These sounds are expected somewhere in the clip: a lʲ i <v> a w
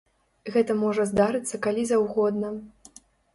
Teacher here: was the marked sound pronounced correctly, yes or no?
no